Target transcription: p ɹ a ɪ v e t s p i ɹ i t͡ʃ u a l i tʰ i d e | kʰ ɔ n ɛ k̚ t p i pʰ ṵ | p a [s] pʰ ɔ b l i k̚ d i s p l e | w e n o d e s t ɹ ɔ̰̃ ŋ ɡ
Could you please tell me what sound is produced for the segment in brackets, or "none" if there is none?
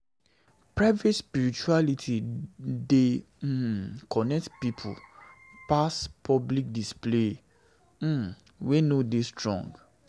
s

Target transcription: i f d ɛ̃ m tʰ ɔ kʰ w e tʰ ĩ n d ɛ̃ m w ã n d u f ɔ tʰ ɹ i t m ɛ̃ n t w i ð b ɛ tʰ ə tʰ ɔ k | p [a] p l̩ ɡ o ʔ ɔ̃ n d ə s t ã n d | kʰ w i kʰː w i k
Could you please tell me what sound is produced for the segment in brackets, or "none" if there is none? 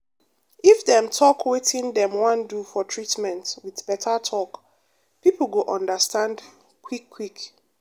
i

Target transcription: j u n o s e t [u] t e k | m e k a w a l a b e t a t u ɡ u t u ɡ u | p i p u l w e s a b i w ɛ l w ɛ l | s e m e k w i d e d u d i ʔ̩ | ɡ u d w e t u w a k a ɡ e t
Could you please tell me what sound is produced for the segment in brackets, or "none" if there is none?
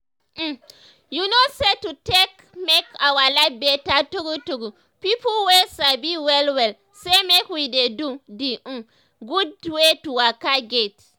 u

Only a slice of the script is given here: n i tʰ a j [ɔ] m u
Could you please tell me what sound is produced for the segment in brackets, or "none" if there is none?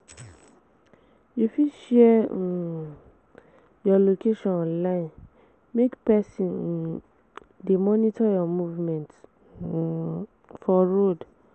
ɔ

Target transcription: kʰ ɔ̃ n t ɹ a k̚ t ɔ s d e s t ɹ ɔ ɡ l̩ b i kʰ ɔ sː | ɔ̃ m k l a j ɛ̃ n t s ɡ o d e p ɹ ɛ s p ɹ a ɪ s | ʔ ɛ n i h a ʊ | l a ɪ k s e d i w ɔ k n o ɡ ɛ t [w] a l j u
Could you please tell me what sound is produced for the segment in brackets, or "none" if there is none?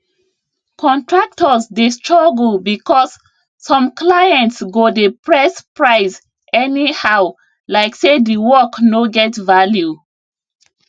v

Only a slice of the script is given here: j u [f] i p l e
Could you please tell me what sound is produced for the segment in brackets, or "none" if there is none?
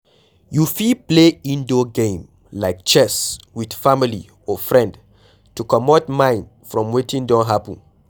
f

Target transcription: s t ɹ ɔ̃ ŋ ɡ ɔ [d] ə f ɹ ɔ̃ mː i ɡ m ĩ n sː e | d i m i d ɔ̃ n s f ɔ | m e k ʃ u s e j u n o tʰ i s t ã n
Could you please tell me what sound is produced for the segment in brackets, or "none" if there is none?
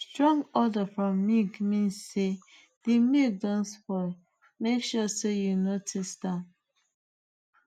d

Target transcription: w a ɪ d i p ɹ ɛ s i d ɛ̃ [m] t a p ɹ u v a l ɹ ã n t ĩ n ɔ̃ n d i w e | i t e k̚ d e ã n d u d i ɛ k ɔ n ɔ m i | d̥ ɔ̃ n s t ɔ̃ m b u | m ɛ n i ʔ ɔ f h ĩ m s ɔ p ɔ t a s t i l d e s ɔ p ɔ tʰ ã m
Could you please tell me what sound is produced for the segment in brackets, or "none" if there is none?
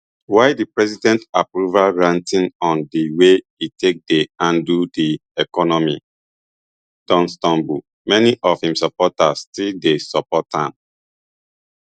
n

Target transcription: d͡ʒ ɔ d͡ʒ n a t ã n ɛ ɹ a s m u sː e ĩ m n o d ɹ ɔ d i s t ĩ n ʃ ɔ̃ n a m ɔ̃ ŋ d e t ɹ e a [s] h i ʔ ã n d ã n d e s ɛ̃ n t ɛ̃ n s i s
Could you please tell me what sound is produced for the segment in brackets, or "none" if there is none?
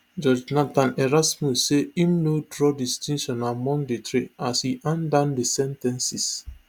s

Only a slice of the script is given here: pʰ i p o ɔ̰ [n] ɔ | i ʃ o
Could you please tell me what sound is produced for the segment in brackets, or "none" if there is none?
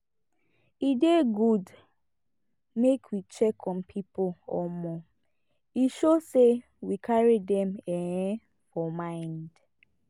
m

